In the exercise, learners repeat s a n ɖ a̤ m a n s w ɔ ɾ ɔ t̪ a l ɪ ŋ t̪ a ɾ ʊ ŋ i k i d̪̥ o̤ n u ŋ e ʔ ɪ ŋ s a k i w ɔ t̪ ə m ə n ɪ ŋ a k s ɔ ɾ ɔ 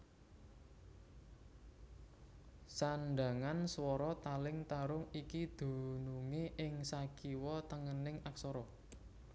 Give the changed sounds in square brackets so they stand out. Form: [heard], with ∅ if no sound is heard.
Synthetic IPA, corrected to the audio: s a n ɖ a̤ [ŋ] a n s w ɔ ɾ ɔ t̪ a l ɪ ŋ t̪ a ɾ ʊ ŋ i k i d̪̥ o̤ n u ŋ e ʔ ɪ ŋ s a k i w ɔ t̪ ə [ŋ] ə n ɪ ŋ a k s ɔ ɾ ɔ